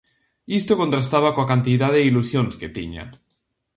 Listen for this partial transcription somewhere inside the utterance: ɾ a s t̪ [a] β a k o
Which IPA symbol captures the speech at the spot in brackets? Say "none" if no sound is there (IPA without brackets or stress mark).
a